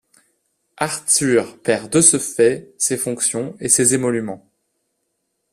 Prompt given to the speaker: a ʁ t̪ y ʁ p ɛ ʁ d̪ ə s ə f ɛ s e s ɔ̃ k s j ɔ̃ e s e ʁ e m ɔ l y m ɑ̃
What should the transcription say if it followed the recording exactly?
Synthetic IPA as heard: a ʁ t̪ y ʁ p ɛ ʁ d̪ ə s ə f ɛ s e f ɔ̃ k s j ɔ̃ e s e z e m ɔ l y m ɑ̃